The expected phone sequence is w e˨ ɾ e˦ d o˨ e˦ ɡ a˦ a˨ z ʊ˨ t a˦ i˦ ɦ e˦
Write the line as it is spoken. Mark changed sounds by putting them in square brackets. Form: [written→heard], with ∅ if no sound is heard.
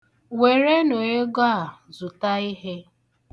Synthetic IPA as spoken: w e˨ ɾ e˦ [d→n] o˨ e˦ ɡ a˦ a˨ z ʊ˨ t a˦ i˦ ɦ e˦